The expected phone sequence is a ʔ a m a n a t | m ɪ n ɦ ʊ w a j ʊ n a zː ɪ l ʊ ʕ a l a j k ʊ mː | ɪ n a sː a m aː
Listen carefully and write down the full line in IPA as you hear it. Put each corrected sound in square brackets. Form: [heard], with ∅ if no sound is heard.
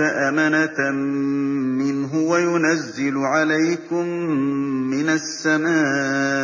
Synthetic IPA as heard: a ʔ a m a n a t | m ɪ n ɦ ʊ w a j ʊ n a zː ɪ l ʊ ʕ a l a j k ʊ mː | ɪ n a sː a m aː

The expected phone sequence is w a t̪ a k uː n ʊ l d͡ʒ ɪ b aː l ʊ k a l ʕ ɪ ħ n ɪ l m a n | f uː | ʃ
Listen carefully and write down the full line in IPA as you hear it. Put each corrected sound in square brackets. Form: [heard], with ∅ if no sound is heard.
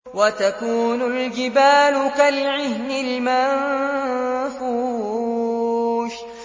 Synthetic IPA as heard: w a t̪ a k uː n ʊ l d͡ʒ ɪ b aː l ʊ k a l ʕ ɪ [h] n ɪ l m a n | f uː | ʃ

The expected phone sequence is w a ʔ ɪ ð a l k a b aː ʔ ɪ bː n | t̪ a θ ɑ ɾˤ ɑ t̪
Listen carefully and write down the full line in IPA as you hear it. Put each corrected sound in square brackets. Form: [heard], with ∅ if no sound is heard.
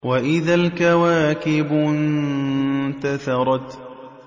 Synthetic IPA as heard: w a ʔ ɪ ð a l k a [w] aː [k] ɪ [b] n | t̪ a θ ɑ ɾˤ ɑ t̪

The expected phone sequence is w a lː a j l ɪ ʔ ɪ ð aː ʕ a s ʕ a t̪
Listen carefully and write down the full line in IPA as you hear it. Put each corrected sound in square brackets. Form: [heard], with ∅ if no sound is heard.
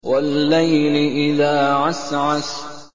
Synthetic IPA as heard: w a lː a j l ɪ ʔ ɪ ð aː ʕ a s ʕ a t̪

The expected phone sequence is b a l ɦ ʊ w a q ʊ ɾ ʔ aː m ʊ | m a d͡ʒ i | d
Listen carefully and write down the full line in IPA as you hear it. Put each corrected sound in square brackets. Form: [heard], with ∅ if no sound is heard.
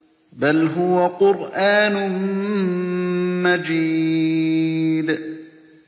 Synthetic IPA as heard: b a l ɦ ʊ w a q ʊ ɾ ʔ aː [n] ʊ | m a d͡ʒ [iː] | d

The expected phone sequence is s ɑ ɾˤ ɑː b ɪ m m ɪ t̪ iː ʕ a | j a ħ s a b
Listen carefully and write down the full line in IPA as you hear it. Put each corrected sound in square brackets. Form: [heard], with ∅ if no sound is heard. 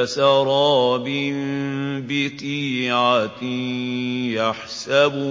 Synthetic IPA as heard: s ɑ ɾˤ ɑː b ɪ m [b] ɪ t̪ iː ʕ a | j a ħ s a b

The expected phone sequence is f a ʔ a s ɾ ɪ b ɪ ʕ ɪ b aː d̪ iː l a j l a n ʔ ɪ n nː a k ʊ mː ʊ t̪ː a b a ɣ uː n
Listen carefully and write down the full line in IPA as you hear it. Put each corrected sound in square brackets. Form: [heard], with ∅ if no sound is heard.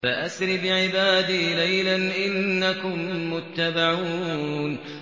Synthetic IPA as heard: f a ʔ a s ɾ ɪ b ɪ ʕ ɪ b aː d̪ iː l a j l a n ʔ ɪ n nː a k ʊ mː ʊ t̪ː a b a [ʕ] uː n

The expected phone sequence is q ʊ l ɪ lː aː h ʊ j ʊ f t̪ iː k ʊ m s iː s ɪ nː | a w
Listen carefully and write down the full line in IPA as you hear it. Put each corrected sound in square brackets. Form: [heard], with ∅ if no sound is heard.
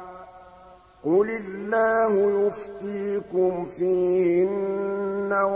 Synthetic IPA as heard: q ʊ l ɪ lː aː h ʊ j ʊ f t̪ iː k ʊ m [f] iː [h] ɪ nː | a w

